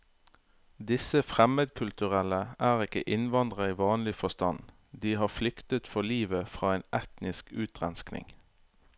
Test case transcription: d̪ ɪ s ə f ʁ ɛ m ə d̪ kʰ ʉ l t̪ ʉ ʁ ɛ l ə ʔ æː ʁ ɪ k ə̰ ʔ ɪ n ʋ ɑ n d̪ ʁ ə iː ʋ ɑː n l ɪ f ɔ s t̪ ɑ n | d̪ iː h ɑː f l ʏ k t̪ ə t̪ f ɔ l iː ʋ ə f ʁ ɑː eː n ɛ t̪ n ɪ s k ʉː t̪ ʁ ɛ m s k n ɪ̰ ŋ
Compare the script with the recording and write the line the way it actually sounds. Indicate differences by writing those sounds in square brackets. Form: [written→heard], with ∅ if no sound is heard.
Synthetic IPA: d̪ ɪ s ə f ʁ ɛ m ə d̪ kʰ ʉ l t̪ ʉ ʁ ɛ l ə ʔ æː ʁ ɪ k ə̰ ʔ ɪ n ʋ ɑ n d̪ ʁ ə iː ʋ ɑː n l ɪ f ɔ s t̪ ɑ n | d̪ iː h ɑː f l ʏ k t̪ ə t̪ f ɔ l iː ʋ ə f ʁ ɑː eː n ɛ t̪ n ɪ s k ʉː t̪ ʁ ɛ [m→n] s k n ɪ̰ ŋ